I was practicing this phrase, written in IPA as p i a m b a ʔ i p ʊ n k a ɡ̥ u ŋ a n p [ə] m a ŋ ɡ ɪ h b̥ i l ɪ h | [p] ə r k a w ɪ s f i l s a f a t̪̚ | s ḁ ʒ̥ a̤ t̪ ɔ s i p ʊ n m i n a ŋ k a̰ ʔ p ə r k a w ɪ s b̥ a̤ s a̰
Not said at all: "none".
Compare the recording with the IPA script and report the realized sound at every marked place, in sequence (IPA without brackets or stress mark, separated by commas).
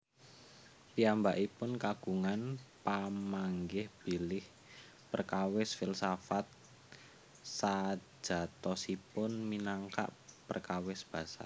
a, p